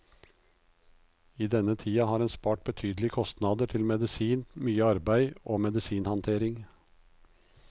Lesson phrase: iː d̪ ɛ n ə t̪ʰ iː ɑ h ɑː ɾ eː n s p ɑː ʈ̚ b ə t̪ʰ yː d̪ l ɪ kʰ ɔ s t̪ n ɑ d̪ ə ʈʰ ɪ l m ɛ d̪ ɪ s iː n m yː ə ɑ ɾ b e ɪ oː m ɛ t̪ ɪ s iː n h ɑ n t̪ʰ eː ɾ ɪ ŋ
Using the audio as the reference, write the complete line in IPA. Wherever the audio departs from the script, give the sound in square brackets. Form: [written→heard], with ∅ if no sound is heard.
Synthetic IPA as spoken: iː d̪ ɛ n ə t̪ʰ iː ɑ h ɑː ɾ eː n s p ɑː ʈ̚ b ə t̪ʰ yː d̪ l ɪ kʰ ɔ s t̪ n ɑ d̪ ə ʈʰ ɪ l m ɛ d̪ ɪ s iː n m yː ə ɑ ɾ b [e→æ] ɪ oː m ɛ [t̪→d̪] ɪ s iː n h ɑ n t̪ʰ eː ɾ ɪ ŋ

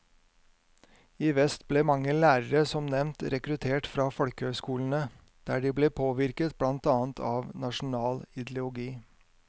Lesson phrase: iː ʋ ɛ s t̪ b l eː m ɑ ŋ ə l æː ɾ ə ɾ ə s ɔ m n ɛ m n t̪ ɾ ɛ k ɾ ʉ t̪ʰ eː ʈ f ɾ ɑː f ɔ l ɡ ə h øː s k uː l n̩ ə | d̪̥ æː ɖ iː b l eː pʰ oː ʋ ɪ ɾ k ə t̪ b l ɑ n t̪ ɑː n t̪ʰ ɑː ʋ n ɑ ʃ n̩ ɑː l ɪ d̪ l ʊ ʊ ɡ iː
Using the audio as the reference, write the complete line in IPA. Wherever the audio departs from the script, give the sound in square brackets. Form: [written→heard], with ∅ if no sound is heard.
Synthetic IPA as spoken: iː ʋ ɛ s t̪ b l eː m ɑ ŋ ə l æː ɾ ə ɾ ə s ɔ m n ɛ m n t̪ ɾ ɛ k ɾ ʉ t̪ʰ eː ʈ f ɾ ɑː f ɔ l [ɡ→k] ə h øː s k uː l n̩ ə | d̪̥ æː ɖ iː b l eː pʰ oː ʋ ɪ ɾ k ə t̪ b l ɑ n t̪ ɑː n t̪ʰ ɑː ʋ n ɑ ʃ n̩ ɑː l ɪ d̪ l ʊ ʊ ɡ iː

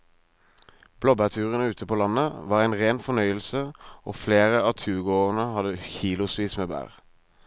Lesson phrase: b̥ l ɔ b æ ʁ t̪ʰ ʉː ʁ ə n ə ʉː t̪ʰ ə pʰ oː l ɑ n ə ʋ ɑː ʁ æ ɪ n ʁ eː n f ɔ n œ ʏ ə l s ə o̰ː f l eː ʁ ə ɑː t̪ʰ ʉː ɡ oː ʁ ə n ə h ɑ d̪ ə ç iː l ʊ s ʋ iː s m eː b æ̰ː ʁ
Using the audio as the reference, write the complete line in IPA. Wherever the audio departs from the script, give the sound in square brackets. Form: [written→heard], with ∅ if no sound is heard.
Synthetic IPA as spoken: b̥ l ɔ b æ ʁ t̪ʰ ʉː ʁ ə n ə ʉː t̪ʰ ə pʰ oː l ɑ n ə ʋ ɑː ʁ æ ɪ n ʁ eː n f ɔ n œ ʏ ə l s ə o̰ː f l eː ʁ ə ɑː t̪ʰ ʉː ɡ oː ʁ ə n ə h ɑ d̪ ə ç iː l ʊ s ʋ iː s m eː b æ̰ː ʁ

